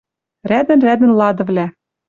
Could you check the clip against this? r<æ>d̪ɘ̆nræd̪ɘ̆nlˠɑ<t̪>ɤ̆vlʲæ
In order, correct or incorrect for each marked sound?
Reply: correct, incorrect: d̪

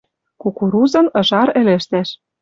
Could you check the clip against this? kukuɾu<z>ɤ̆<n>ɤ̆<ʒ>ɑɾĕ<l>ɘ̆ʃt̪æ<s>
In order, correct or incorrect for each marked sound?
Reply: correct, correct, correct, correct, incorrect: ʃ

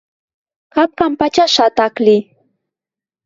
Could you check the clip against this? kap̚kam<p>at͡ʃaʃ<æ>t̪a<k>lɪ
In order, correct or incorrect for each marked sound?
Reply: correct, incorrect: a, correct

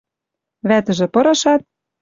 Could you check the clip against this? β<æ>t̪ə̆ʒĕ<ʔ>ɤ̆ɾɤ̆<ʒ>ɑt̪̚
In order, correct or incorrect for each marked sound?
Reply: correct, incorrect: p, incorrect: ʃ

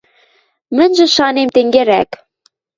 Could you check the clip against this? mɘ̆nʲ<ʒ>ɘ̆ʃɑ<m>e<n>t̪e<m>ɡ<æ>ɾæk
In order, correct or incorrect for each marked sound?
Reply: correct, incorrect: n, incorrect: m, incorrect: ŋ, incorrect: e

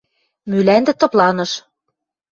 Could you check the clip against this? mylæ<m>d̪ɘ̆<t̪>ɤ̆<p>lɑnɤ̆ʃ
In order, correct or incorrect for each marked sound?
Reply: incorrect: n, correct, correct

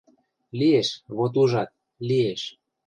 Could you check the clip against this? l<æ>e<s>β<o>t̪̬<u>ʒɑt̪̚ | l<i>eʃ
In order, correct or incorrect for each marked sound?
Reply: incorrect: i, incorrect: ʃ, correct, correct, correct

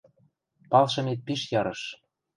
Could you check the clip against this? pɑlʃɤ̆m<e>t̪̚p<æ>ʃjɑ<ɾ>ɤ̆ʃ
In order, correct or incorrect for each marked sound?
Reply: correct, incorrect: i, correct

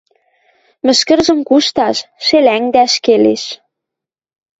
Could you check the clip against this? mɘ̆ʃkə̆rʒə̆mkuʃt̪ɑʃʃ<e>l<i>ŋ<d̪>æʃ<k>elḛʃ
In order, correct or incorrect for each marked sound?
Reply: correct, incorrect: æ, correct, correct

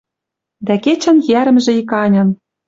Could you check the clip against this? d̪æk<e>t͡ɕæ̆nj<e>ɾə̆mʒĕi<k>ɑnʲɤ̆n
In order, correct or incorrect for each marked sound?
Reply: correct, incorrect: æ, correct

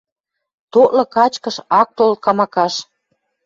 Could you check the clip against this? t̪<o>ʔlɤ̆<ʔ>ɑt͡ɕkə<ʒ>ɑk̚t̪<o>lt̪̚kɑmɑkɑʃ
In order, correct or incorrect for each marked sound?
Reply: correct, incorrect: k, incorrect: ʃ, correct

